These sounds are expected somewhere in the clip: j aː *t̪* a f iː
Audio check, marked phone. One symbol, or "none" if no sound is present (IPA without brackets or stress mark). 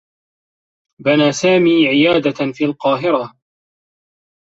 d̪